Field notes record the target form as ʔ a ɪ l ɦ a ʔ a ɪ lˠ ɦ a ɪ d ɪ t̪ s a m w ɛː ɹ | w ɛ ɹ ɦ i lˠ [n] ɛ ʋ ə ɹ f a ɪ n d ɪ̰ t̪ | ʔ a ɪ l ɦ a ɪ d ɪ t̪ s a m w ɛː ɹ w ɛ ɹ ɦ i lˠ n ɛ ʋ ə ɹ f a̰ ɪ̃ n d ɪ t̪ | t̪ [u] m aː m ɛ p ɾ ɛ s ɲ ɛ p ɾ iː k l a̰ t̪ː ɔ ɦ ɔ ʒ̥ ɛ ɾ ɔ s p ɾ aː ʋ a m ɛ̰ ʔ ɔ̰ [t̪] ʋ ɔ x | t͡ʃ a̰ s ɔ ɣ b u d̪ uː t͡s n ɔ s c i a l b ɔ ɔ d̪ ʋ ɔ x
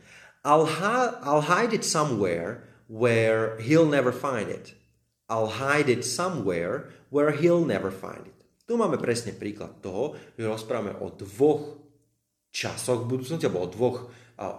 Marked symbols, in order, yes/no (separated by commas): yes, yes, no